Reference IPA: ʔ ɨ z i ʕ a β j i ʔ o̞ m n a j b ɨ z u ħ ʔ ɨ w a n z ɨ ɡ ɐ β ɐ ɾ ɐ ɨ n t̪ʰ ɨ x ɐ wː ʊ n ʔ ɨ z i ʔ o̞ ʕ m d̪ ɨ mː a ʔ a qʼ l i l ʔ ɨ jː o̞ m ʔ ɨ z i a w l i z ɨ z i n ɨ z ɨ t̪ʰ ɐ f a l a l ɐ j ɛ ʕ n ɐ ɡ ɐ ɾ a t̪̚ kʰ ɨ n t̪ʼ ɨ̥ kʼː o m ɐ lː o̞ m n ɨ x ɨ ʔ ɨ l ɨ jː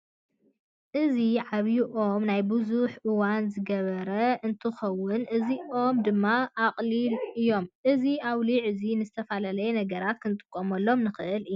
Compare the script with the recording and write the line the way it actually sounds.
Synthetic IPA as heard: ʔ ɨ z i ʕ a β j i ʔ o̞ m n a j b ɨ z u ħ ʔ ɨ w a n z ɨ ɡ ɐ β ɐ ɾ ɐ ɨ n t̪ʰ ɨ x ɐ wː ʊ n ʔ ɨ z i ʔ o̞ m d̪ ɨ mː a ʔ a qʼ l i l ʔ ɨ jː o̞ m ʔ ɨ z i a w l i ʕ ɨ z i n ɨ z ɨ t̪ʰ ɐ f a l a l ɐ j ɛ n ɐ ɡ ɐ ɾ a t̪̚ kʰ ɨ n t̪ʼ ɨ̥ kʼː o m ɐ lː o̞ m n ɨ x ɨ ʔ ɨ l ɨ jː